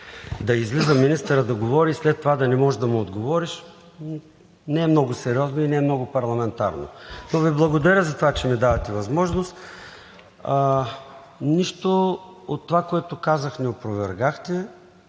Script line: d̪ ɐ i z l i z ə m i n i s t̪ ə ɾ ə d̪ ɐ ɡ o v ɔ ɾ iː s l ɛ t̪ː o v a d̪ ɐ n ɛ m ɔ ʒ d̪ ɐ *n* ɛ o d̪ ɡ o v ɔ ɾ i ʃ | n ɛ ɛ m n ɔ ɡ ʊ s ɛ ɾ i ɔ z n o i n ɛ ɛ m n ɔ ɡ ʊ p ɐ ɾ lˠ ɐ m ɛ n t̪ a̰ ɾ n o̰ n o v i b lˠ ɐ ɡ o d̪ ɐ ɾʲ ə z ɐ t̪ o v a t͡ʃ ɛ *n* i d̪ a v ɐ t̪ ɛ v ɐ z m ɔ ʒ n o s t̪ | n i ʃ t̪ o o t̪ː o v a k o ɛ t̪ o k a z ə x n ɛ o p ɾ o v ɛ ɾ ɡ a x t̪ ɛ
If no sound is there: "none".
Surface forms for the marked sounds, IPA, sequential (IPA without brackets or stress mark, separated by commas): m, m